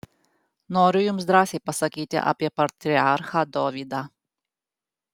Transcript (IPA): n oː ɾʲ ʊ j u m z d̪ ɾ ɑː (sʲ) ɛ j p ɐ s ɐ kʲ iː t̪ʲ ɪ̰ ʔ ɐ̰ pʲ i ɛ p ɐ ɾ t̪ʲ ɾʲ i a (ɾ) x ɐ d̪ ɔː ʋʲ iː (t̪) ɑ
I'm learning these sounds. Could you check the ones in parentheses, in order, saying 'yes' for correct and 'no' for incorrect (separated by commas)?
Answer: yes, yes, no